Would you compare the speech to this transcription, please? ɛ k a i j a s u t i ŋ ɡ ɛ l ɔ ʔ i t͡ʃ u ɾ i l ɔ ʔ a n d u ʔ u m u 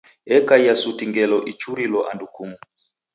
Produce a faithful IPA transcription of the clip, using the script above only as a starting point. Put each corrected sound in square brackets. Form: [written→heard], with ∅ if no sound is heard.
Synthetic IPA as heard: ɛ k a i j a s u t i ŋ ɡ ɛ l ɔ ʔ i t͡ʃ u ɾ i l ɔ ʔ a n d u [ʔ→k] u m u